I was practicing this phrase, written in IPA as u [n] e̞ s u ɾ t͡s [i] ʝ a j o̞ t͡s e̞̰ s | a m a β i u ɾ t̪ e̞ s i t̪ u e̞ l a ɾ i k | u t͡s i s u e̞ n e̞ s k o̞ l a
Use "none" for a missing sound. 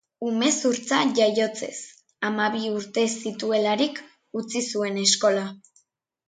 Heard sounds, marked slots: m, a

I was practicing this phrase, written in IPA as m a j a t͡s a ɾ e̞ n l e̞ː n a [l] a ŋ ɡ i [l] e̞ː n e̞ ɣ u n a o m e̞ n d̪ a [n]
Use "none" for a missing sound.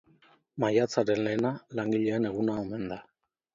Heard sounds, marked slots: l, ʎ, none

